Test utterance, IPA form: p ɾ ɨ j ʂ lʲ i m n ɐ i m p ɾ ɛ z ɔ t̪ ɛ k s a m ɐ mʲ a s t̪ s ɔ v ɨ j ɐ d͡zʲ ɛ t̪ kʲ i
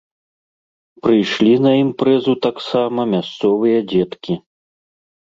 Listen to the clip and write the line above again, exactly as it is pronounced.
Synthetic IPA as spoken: p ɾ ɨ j ʂ lʲ i n ɐ i m p ɾ ɛ z u t̪ a k s a m ɐ mʲ a s t̪ s ɔ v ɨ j ɐ d͡zʲ ɛ t̪ kʲ i

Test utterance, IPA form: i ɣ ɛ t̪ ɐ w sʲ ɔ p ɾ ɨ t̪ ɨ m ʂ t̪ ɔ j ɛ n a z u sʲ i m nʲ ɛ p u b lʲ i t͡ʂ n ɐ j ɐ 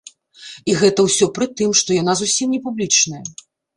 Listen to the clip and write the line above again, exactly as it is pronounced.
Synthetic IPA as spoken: i ɣ ɛ t̪ ɐ w sʲ ɔ p ɾ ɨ t̪ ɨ m ʂ t̪ ɔ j a n a z u sʲ i m nʲ ɛ p u b lʲ i t͡ʂ n ɐ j ɐ

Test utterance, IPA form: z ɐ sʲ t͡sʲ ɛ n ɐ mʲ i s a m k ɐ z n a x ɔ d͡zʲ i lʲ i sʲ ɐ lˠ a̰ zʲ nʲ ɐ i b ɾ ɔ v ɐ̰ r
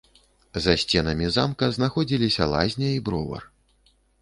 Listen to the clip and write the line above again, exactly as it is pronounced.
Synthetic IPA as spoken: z ɐ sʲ t͡sʲ ɛ n ɐ mʲ i z a m k ɐ z n a x ɔ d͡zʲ i lʲ i sʲ ɐ lˠ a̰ zʲ nʲ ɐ i b ɾ ɔ v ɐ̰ r

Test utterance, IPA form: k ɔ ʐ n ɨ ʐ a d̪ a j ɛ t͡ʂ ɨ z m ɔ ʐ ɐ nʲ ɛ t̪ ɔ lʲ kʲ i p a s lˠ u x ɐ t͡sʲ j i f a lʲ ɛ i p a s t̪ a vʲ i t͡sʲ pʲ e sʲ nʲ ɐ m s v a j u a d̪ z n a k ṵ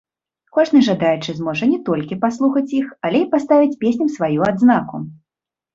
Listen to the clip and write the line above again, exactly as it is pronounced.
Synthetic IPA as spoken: k ɔ ʐ n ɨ ʐ a d̪ a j ɛ t͡ʂ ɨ z m ɔ ʐ ɐ nʲ ɛ t̪ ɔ lʲ kʲ i p a s lˠ u x ɐ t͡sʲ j i x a lʲ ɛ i p a s t̪ a vʲ i t͡sʲ pʲ e sʲ nʲ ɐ m s v a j u a d̪ z n a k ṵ

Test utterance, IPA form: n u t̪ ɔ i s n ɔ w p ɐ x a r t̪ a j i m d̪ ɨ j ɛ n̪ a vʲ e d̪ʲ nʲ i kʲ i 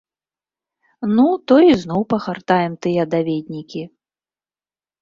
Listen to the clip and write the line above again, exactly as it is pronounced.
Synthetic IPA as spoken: n u t̪ ɔ i z n ɔ w p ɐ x a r t̪ a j ɛ m t̪ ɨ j ɛ d̪ a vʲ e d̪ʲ nʲ i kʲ i

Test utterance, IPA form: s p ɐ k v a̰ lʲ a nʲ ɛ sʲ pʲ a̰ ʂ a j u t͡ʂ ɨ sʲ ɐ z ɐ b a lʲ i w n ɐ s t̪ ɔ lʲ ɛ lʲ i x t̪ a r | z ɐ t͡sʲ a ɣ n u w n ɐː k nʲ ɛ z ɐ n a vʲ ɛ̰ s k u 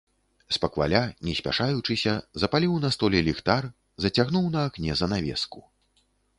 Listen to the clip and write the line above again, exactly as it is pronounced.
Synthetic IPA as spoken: s p ɐ k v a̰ lʲ a nʲ ɛ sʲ pʲ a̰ ʂ a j u t͡ʂ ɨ sʲ ɐ z ɐ p a lʲ i w n ɐ s t̪ ɔ lʲ ɛ lʲ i x t̪ a r | z ɐ t͡sʲ a ɣ n u w n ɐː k nʲ ɛ z ɐ n a vʲ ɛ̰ s k u

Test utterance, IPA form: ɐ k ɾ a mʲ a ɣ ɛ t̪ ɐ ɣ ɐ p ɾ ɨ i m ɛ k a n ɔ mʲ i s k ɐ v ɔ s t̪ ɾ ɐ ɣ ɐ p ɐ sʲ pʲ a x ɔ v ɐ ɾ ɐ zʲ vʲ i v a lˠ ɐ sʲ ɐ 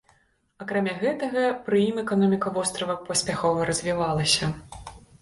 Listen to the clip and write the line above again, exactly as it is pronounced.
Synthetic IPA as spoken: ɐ k ɾ a mʲ a ɣ ɛ t̪ ɐ ɣ ɐ p ɾ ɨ i m ɛ k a n ɔ mʲ i k ɐ v ɔ s t̪ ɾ ɐ v ɐ p ɐ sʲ pʲ a x ɔ v ɐ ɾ ɐ zʲ vʲ i v a lˠ ɐ sʲ ɐ

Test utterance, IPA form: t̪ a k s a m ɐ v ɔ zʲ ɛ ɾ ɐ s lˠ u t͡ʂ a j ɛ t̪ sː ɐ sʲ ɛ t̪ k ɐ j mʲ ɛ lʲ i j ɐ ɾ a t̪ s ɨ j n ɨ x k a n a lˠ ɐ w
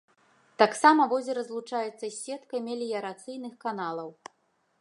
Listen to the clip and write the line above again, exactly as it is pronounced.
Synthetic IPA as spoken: t̪ a k s a m ɐ v ɔ zʲ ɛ ɾ ɐ z lˠ u t͡ʂ a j ɛ t̪ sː ɐ sʲ ɛ t̪ k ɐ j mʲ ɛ lʲ i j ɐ ɾ a t̪ s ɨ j n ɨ x k a n a lˠ ɐ w

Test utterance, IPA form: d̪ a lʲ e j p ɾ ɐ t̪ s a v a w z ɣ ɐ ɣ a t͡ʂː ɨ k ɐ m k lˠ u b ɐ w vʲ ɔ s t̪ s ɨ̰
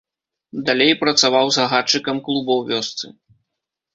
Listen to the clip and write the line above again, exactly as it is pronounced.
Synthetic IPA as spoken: d̪ a lʲ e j p ɾ ɐ t̪ s a v a w z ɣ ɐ ɣ a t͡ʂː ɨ k ɐ m k lˠ u b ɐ w vʲ ɔ s t̪ s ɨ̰

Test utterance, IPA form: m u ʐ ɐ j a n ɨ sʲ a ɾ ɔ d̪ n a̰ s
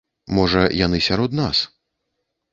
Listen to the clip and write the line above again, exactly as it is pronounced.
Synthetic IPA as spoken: m ɔ ʐ ɐ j a n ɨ sʲ a ɾ ɔ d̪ n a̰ s

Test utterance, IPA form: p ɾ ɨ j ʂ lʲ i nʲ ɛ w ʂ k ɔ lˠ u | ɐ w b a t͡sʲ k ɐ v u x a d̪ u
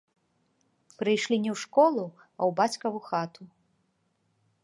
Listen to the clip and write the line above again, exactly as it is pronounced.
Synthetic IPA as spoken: p ɾ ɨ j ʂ lʲ i nʲ ɛ w ʂ k ɔ lˠ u | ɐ w b a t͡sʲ k ɐ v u x a t̪ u

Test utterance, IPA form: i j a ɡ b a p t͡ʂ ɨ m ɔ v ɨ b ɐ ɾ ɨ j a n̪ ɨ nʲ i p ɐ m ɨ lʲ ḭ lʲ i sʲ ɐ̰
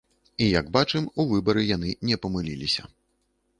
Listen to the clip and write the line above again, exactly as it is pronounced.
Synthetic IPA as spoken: i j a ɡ b a t͡ʂ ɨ m u v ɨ b ɐ ɾ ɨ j a n̪ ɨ nʲ ɛ p ɐ m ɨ lʲ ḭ lʲ i sʲ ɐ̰

